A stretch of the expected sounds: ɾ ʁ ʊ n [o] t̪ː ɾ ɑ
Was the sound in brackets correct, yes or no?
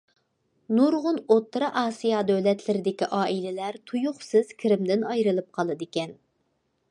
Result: yes